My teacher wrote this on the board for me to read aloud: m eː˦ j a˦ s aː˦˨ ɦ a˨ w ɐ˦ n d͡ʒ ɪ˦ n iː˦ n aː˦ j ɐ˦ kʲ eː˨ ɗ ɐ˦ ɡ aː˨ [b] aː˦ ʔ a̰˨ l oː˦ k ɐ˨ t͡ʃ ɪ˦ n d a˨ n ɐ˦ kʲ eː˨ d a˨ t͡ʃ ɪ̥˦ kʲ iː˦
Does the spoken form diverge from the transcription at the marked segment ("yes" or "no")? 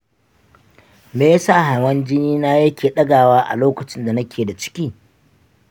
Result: yes